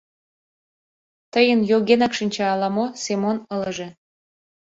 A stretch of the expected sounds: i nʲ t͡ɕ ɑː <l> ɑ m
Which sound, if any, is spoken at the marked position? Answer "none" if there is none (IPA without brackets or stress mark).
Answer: l